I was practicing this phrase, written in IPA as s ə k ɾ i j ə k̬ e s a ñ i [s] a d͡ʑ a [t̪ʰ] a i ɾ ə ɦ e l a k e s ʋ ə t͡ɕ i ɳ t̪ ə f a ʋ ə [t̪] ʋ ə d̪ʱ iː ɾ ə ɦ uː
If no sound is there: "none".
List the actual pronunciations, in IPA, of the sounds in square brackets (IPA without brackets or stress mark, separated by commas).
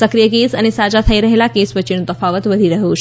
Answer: s, t̪ʰ, t̪